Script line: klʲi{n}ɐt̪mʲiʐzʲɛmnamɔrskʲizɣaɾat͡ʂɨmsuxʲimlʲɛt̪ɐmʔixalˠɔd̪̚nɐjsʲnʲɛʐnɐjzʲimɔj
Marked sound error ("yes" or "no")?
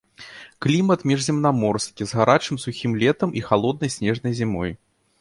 yes